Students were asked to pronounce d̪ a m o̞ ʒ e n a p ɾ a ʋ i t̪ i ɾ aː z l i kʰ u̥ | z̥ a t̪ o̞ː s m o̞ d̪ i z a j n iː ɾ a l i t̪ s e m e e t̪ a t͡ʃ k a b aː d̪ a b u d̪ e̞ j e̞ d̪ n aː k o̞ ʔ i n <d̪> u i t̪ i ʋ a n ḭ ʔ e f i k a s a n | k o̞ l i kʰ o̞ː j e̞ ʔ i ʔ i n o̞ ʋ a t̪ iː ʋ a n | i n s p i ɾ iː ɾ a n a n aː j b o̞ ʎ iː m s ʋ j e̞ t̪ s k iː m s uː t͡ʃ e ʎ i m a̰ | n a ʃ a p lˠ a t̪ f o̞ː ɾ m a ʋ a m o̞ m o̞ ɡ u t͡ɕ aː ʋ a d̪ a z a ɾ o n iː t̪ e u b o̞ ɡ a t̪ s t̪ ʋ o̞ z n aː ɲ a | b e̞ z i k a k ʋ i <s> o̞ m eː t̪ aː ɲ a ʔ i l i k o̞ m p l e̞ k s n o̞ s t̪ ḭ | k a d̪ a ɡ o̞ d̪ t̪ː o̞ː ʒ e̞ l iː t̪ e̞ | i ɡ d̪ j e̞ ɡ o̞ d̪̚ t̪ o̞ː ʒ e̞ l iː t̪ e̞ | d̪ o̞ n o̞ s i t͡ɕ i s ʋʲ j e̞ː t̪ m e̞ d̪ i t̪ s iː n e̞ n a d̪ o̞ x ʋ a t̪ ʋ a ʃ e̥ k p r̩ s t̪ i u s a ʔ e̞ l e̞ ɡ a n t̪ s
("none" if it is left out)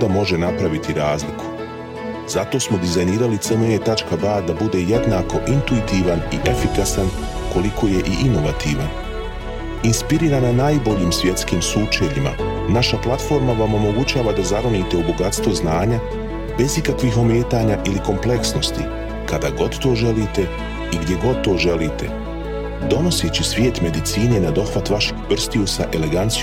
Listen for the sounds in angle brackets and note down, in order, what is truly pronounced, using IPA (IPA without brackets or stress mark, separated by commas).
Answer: t̪, x